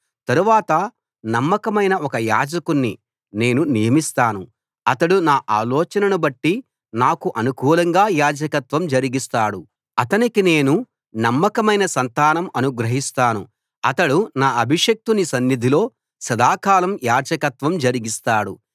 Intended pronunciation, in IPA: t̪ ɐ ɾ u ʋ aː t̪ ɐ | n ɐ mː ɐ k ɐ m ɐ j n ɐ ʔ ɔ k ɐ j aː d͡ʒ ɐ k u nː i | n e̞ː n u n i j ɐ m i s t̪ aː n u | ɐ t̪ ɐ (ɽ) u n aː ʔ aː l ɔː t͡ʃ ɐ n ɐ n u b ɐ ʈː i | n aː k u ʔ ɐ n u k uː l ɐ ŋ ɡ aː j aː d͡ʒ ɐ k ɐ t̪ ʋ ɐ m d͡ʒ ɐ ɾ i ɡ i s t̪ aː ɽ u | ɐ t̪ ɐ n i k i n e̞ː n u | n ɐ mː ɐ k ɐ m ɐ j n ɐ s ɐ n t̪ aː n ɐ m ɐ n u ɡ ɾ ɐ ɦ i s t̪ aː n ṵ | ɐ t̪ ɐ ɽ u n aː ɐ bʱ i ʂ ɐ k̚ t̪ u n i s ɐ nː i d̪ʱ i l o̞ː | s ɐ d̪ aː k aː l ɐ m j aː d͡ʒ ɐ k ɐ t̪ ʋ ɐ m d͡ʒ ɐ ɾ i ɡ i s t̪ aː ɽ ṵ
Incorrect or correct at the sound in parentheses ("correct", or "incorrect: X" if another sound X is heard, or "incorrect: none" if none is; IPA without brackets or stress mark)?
correct